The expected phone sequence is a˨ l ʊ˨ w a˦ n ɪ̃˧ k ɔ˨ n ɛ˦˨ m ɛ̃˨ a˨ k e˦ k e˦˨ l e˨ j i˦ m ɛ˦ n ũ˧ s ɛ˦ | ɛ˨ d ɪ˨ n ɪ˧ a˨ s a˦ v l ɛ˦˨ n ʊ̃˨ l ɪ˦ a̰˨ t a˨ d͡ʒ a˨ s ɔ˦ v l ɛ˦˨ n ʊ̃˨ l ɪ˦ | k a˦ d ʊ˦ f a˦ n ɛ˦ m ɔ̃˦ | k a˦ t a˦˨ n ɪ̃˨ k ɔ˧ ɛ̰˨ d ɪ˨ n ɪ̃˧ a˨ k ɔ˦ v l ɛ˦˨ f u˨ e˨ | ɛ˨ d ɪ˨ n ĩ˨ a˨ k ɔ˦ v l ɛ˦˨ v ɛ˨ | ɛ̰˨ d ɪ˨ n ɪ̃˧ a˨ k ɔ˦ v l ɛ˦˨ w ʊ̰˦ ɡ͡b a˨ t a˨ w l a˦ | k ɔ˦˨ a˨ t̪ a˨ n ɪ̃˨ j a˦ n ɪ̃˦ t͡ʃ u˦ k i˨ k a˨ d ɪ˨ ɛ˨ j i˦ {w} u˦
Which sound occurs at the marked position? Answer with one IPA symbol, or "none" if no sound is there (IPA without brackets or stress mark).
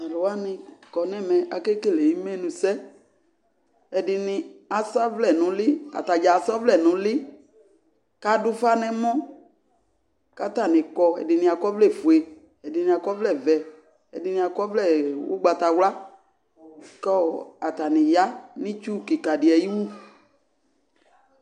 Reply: w